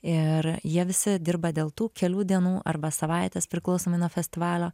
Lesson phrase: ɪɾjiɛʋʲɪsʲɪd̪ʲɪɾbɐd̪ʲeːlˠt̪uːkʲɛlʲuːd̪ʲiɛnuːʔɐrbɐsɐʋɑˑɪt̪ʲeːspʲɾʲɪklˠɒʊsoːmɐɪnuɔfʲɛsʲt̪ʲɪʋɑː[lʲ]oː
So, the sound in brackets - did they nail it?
yes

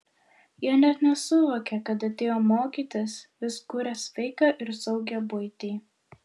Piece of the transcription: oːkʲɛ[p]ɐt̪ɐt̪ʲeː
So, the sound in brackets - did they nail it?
no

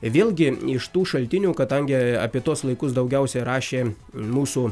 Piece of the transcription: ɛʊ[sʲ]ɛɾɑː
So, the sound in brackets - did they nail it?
yes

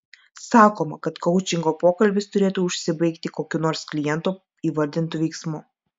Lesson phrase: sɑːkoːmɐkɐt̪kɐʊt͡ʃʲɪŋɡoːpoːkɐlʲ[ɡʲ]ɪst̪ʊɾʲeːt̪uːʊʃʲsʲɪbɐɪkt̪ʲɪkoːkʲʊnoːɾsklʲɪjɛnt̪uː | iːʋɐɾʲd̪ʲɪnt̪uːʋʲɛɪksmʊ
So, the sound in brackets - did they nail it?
no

